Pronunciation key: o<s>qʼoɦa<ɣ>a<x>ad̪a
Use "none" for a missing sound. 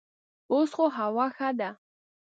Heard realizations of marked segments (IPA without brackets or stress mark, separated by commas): s, w, x